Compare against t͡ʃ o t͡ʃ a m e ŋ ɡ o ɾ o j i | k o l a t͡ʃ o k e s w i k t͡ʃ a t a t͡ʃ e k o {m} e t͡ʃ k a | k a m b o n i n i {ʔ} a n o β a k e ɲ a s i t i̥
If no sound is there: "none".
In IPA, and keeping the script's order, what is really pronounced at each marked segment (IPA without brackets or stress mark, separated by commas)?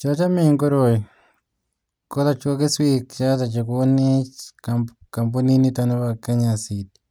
n, t